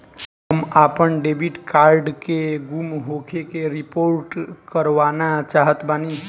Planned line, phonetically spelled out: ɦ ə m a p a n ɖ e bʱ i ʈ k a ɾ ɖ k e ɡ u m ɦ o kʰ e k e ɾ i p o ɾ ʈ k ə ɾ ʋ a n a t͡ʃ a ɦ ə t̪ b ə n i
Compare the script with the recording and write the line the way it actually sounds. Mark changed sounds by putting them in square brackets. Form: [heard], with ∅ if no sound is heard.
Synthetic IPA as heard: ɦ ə m a p [ə] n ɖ e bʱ i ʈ k a ɾ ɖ k e ɡ u m ɦ o kʰ e k e ɾ i p o ɾ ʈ k ə ɾ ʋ a n a t͡ʃ a ɦ ə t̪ b [a] n i